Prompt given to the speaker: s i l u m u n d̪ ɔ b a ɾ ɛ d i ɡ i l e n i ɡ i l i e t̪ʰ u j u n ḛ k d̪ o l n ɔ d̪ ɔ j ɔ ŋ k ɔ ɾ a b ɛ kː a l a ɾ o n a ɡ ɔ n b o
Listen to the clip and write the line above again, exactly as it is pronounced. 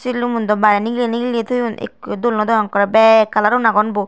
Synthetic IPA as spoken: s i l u m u n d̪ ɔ b a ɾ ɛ n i ɡ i l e n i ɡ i l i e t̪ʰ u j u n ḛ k d̪ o l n ɔ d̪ ɔ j ɔ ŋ k ɔ ɾ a b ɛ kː a l a ɾ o n a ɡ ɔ n b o